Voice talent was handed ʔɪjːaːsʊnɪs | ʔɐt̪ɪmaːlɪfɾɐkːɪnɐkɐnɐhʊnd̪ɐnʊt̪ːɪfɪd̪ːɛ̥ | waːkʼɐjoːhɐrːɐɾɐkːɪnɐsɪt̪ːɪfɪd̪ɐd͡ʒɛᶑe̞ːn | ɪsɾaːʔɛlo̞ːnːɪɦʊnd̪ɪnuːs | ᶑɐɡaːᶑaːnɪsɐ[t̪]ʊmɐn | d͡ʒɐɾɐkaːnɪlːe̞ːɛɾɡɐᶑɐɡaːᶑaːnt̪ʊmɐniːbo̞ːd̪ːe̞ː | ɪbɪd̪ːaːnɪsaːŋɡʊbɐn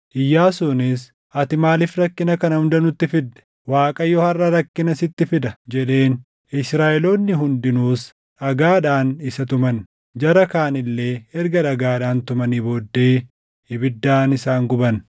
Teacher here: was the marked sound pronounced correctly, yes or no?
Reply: yes